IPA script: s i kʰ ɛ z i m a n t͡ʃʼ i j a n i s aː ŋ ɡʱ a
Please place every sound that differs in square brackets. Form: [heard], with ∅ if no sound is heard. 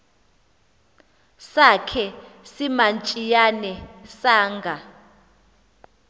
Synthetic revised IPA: s [a] kʰ ɛ [s] i m a n t͡ʃʼ i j a n [ɛ] s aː ŋ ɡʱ a